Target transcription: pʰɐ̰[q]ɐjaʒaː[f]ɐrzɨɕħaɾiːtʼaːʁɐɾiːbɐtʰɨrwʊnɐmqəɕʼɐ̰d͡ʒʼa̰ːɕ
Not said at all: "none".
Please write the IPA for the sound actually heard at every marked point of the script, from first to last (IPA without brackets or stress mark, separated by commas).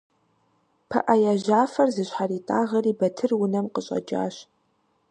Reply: ʔ, f